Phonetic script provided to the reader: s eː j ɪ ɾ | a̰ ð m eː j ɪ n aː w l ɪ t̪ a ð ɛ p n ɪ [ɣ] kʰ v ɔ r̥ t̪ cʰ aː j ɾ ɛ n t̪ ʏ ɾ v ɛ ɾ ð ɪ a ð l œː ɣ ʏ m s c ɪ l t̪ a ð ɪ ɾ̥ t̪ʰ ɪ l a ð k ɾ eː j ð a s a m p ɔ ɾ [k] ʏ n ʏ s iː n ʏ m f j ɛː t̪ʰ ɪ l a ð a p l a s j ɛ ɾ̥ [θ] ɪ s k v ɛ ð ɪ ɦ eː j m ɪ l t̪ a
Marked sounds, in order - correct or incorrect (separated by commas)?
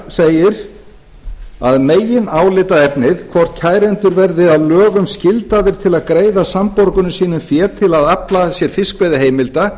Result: incorrect, correct, incorrect